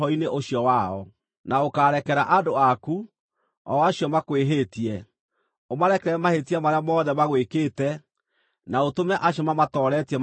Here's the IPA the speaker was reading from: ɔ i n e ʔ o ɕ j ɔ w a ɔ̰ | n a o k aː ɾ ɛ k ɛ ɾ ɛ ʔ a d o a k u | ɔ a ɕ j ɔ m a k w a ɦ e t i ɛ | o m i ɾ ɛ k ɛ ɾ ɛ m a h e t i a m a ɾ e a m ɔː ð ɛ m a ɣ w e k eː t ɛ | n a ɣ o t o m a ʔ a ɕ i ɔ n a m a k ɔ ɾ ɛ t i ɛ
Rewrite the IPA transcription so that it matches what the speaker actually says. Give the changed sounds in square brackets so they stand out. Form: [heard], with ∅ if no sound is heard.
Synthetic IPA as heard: ɔ i n e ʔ o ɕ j ɔ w a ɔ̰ | n a o k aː ɾ ɛ k ɛ ɾ [a] ʔ a d o a k u | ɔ a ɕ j ɔ m a k w [e] ɦ e t i ɛ | o m [a] ɾ ɛ k ɛ ɾ ɛ m a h e t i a m a ɾ e a m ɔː ð ɛ m a ɣ w e k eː t ɛ | n a [∅] o t o m [ɛ] ʔ a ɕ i ɔ [m] a m a [t] ɔ ɾ ɛ t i ɛ

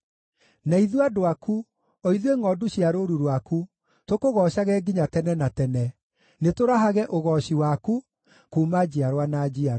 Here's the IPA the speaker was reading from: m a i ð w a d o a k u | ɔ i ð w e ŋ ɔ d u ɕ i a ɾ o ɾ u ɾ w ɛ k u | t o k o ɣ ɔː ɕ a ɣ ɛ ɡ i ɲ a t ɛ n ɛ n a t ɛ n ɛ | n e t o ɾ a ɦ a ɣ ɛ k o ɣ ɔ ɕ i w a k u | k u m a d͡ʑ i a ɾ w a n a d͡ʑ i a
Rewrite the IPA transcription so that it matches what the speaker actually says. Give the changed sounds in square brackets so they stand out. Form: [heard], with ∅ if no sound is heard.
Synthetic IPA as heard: [n] a i ð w a d o a k u | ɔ i ð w e ŋ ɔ d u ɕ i a ɾ o ɾ u ɾ w [a] k u | t o k o ɣ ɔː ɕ a ɣ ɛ ɡ i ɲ a t ɛ n ɛ n a t ɛ n ɛ | n e t o ɾ a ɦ a ɣ ɛ [ʔ] o ɣ ɔ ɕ i w a k u | k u m a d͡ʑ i a ɾ w a n a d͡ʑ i a

